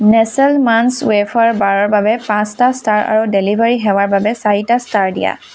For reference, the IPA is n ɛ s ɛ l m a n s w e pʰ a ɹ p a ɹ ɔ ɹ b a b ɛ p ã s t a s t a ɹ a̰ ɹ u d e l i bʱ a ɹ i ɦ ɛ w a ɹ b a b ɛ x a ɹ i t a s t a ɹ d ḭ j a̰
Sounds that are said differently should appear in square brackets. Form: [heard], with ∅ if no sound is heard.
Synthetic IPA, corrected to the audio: n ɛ s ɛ l m a n s w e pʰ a ɹ [b] a ɹ ɔ ɹ b a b ɛ p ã s t a s t a ɹ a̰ ɹ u d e l i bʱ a ɹ i ɦ ɛ w a ɹ b a b ɛ [s] a ɹ i t a s t a ɹ d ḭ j a̰